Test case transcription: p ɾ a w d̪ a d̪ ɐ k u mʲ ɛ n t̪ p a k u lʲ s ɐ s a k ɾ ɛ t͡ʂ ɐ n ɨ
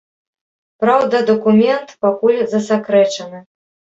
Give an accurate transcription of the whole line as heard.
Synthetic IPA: p ɾ a w d̪ ɐ d̪ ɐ k u mʲ ɛ n t̪ p a k u lʲ z ɐ s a k ɾ ɛ t͡ʂ ɐ n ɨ